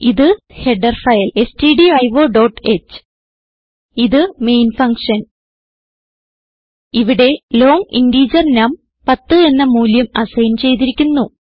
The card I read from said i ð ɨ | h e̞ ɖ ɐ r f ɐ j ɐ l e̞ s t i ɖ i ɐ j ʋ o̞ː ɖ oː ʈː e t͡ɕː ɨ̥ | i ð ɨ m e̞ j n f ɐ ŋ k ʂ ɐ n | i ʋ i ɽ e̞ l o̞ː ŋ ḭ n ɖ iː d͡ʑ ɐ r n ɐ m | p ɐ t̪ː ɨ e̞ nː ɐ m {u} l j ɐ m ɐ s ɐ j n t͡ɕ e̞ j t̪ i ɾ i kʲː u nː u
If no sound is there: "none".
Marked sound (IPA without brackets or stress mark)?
uː